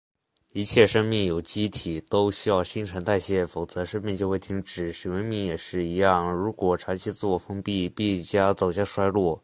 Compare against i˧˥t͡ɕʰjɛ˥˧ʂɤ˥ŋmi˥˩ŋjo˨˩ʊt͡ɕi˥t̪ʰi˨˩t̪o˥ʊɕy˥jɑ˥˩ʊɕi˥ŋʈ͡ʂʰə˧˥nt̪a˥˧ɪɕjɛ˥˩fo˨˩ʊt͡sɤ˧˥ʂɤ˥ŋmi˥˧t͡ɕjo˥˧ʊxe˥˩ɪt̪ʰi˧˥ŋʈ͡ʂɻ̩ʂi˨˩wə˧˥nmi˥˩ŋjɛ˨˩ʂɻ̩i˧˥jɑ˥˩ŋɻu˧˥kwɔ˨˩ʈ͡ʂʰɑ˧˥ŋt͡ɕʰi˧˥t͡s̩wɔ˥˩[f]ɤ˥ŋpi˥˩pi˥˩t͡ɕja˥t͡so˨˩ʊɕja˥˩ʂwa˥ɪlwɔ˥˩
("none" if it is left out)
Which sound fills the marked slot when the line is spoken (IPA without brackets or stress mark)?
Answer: f